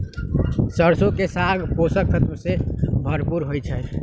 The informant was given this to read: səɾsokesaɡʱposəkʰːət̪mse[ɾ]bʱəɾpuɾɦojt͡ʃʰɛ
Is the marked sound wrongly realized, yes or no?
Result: yes